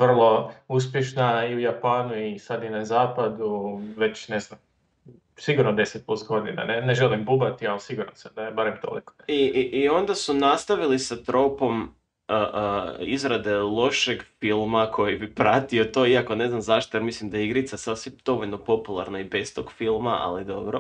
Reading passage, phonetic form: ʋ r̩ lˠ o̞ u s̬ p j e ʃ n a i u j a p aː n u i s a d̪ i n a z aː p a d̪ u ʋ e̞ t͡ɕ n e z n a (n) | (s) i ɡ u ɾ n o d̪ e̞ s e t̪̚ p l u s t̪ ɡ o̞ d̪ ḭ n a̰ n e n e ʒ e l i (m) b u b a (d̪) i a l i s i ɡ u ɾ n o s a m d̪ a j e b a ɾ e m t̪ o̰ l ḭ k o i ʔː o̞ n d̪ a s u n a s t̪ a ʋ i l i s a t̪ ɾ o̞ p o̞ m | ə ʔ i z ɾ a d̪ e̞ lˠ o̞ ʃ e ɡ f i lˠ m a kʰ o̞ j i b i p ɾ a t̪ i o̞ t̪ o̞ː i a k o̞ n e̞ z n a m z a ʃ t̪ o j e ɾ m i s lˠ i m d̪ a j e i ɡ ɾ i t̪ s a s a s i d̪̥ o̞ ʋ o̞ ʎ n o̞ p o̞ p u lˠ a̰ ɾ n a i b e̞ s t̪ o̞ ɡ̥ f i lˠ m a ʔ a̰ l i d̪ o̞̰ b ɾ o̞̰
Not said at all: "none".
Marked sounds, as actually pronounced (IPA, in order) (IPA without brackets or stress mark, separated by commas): m, s, m, t̪